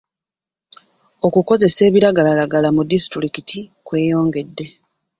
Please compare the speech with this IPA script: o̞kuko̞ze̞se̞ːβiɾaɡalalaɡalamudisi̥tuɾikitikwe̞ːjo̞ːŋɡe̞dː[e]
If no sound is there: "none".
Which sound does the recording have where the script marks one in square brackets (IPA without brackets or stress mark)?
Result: e